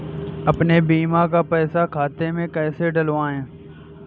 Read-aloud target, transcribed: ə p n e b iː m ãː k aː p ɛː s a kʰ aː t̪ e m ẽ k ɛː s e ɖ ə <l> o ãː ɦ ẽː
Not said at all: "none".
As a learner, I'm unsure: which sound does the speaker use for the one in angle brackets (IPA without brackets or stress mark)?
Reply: l